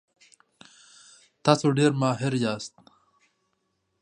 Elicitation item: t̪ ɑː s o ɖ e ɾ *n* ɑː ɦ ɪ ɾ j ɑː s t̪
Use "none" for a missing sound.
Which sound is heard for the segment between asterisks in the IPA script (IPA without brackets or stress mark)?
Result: m